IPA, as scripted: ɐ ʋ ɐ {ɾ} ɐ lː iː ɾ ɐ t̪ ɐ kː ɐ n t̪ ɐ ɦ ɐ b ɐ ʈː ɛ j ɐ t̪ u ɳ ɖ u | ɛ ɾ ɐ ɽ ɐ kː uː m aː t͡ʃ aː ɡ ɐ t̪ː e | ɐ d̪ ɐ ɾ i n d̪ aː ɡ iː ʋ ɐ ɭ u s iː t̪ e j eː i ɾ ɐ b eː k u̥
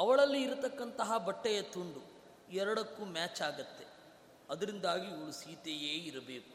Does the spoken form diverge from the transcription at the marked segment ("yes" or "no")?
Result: yes